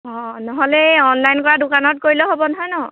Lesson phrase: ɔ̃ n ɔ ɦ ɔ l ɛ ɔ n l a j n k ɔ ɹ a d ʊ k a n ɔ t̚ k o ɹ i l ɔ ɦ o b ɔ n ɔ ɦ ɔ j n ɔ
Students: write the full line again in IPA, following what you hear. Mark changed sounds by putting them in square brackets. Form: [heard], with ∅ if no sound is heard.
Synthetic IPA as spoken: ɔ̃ n ɔ ɦ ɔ l ɛ ɔ n l a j n k ɔ ɹ a d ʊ k a n ɔ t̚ k o ɹ i l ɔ ɦ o b ɔ n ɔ ɦ ɔ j n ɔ